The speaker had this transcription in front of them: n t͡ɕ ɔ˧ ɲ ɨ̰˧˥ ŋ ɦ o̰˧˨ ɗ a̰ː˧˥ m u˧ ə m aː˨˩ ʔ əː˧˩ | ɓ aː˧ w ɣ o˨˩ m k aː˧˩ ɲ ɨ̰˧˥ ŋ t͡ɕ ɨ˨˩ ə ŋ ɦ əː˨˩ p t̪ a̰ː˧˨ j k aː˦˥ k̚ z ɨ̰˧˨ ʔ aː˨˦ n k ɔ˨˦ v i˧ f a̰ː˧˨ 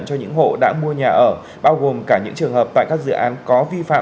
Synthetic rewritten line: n t͡ɕ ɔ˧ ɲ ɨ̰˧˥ ŋ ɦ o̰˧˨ ɗ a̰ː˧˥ m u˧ ə ɲ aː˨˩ ʔ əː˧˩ | ɓ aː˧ w ɣ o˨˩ m k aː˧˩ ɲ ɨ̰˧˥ ŋ t͡ɕ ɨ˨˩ ə ŋ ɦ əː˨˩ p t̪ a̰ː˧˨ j k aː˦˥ k̚ z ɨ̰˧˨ ʔ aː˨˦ n k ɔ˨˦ v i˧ f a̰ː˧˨